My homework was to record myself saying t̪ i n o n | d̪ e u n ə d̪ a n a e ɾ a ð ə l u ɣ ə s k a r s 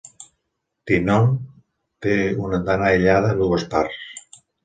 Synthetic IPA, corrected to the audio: t̪ i n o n | t̪ e u n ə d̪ a n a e ʎ a ð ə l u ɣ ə s p a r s